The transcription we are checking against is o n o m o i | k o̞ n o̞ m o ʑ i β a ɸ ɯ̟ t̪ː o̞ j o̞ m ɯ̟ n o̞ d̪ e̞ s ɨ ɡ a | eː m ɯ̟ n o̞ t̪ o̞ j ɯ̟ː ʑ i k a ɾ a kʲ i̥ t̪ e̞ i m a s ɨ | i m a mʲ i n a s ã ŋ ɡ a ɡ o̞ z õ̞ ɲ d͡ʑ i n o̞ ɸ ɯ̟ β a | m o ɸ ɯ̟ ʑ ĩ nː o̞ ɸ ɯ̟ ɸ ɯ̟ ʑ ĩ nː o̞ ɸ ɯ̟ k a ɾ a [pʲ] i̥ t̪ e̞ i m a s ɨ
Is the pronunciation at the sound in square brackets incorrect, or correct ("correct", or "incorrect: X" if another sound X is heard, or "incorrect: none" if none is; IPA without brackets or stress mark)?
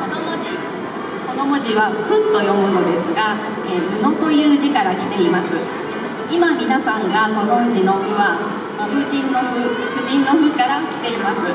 incorrect: kʲ